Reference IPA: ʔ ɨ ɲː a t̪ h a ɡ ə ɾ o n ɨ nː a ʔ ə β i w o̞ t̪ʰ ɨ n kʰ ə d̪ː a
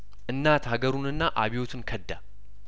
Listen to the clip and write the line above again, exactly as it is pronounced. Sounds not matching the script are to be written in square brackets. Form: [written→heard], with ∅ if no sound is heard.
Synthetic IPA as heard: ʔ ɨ [ɲː→nː] a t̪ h a ɡ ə ɾ [o→u] n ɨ nː a ʔ [ə→a] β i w o̞ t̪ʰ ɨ n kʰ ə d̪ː a